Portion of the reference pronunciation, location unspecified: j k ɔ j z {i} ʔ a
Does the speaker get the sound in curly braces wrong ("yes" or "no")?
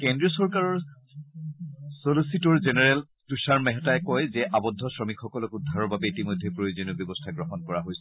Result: yes